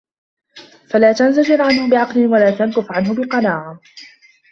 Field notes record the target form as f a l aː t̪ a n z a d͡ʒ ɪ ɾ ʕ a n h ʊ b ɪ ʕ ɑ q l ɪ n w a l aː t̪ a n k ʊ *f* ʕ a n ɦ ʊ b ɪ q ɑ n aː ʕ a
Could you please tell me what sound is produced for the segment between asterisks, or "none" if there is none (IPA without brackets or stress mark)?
f